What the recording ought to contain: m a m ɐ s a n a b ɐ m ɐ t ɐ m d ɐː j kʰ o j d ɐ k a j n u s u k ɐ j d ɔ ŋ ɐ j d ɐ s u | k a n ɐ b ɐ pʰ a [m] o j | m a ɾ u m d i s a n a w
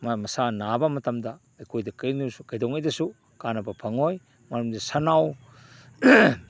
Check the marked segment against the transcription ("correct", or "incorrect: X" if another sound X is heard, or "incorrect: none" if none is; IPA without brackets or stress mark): incorrect: ŋ